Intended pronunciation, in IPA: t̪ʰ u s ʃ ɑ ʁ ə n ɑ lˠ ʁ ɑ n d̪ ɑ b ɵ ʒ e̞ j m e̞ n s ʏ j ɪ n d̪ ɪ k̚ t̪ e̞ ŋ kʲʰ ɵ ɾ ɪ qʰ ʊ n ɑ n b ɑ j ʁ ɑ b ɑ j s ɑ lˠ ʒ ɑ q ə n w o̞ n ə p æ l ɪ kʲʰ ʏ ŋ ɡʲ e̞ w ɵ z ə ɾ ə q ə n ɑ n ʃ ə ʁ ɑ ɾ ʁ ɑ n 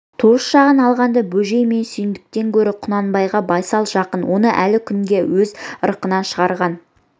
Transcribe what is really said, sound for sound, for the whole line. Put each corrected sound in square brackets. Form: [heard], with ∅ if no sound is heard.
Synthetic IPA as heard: t̪ʰ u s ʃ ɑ ʁ ə n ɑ lˠ ʁ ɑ n d̪ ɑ b ɵ ʒ e̞ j m e̞ n s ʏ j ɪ n d̪ ɪ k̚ t̪ e̞ ŋ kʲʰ ɵ ɾ ɪ qʰ ʊ n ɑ n b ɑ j ʁ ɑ b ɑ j s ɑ lˠ ʒ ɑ q ə n w o̞ n ə [ʔ] æ l ɪ kʲʰ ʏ ŋ ɡʲ e̞ w ɵ z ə ɾ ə q ə n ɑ n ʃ ə ʁ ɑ ɾ ʁ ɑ n